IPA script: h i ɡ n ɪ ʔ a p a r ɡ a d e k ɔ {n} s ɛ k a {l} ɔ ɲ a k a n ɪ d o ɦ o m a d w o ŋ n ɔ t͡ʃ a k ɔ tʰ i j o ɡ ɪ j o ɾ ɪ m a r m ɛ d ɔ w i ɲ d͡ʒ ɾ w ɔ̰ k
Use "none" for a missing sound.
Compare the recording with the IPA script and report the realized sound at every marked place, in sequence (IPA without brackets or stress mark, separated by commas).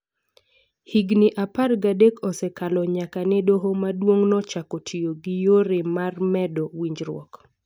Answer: none, l